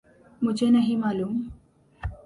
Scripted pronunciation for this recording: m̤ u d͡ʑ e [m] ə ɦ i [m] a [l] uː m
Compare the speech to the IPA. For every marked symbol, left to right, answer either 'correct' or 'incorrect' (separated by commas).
incorrect, correct, correct